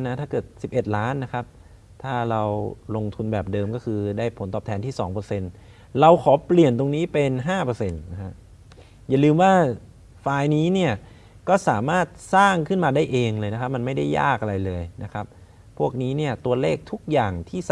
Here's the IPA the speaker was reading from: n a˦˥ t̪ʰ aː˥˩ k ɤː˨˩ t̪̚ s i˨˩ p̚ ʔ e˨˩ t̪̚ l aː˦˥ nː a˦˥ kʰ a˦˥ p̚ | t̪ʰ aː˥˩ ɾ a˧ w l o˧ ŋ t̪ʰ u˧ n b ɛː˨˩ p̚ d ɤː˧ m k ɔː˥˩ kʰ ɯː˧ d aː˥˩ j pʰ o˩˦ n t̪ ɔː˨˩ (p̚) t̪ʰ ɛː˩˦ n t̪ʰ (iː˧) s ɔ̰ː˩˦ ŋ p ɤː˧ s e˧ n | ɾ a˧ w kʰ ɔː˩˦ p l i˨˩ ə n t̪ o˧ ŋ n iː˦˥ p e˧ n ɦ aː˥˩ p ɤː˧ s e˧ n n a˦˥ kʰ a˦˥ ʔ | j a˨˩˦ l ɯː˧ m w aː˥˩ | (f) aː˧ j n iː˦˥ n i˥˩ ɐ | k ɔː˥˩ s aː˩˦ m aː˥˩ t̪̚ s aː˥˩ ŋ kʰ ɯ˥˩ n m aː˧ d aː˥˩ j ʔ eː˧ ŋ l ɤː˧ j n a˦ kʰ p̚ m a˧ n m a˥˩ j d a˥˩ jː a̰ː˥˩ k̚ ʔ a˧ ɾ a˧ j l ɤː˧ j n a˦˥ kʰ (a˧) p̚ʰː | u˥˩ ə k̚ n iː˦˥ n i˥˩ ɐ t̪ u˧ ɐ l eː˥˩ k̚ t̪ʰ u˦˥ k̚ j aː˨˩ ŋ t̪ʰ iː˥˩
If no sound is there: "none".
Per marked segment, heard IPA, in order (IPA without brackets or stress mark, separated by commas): p̚, iː˥˩, f, a˦˥